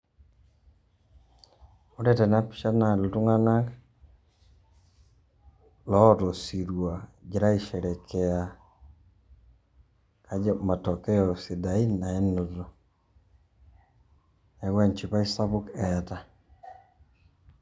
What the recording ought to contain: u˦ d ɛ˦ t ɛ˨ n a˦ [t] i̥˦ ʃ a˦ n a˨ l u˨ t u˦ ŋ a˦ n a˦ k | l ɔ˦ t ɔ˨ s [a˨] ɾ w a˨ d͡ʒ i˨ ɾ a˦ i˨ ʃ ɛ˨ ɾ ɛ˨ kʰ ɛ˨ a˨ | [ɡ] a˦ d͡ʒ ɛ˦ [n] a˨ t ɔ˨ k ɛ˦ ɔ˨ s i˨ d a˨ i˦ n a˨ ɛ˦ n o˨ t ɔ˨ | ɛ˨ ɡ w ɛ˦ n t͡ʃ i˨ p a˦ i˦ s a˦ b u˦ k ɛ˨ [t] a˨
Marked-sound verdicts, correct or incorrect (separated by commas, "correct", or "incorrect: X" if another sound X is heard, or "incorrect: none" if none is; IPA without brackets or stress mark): incorrect: p, incorrect: i˨, incorrect: k, incorrect: m, correct